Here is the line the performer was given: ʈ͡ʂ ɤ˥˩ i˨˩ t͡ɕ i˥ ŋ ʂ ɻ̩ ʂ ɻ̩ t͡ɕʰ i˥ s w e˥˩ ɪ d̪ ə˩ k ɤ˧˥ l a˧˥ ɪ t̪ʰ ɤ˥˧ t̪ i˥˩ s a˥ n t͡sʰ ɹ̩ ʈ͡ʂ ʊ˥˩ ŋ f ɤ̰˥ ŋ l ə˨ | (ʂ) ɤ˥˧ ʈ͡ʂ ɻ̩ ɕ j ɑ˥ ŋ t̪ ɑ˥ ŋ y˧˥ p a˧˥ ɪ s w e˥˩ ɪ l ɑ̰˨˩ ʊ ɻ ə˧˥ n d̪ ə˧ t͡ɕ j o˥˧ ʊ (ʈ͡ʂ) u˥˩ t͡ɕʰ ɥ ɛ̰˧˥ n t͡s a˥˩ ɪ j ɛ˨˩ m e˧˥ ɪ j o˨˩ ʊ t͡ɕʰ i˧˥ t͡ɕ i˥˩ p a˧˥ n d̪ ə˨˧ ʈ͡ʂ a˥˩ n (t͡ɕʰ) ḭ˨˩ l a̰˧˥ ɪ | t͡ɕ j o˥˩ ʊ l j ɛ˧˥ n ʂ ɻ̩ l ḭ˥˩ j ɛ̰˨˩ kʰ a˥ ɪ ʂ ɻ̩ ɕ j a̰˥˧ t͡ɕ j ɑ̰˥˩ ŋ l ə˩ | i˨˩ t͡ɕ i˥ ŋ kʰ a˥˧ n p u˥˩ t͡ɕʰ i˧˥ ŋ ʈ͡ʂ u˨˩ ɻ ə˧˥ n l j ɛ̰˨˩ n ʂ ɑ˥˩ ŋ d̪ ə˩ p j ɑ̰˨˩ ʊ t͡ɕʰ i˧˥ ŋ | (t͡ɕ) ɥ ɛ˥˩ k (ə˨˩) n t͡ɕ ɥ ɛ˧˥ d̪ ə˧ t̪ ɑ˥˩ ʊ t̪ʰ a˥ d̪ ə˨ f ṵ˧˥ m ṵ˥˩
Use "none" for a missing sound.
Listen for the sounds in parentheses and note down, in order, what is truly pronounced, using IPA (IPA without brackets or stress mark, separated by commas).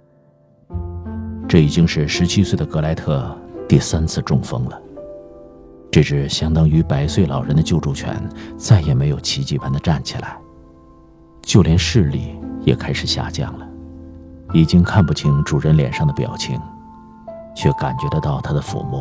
ʈ͡ʂ, ʈ͡ʂ, t͡ɕʰ, t͡ɕʰ, a˨˩